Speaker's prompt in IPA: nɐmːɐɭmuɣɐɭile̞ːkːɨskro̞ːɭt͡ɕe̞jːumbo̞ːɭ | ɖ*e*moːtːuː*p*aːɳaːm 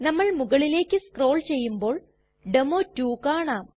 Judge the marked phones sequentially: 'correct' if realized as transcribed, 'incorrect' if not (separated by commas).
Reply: correct, incorrect